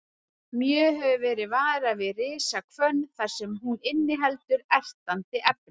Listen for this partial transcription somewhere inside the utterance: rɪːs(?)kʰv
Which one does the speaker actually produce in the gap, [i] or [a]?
a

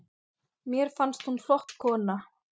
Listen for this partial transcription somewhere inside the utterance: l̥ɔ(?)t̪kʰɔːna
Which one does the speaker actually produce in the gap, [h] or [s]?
h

